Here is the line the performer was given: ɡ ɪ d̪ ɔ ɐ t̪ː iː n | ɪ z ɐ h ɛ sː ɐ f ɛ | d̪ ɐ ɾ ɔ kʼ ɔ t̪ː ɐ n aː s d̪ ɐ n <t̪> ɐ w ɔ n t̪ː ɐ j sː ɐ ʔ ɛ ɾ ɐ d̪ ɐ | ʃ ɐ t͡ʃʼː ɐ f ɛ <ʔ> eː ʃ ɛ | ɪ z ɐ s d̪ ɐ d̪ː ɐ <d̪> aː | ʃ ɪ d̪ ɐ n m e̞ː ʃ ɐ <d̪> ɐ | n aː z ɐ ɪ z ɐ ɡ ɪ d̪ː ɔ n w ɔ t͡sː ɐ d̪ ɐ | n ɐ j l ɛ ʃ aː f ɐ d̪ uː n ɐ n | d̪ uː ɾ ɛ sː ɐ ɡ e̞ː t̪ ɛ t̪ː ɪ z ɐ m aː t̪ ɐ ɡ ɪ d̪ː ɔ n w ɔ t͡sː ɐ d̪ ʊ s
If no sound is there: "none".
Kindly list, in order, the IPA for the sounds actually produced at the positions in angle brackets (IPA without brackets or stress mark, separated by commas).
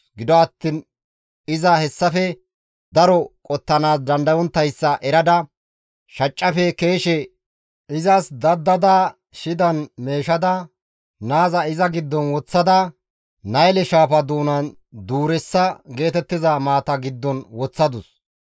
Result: d̪, k, d̪, d̪